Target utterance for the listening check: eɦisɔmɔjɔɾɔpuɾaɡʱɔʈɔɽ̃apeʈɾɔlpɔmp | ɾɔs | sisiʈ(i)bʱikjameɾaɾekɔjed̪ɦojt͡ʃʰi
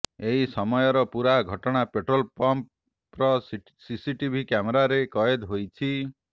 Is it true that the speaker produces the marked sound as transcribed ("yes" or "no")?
yes